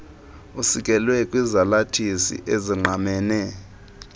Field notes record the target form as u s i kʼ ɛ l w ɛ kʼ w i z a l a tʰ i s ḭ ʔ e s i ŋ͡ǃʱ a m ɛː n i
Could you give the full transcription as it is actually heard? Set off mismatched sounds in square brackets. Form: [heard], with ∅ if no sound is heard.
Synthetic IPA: u s i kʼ ɛ l w ɛ kʼ w i z a l a tʰ i s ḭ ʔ e [z] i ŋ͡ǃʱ a m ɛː n [ɛ]